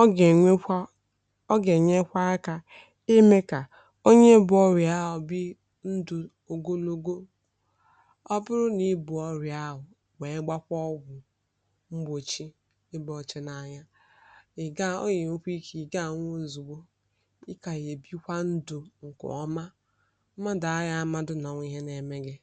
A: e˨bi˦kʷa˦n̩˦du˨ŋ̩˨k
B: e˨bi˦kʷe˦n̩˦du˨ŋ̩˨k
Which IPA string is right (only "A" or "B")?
A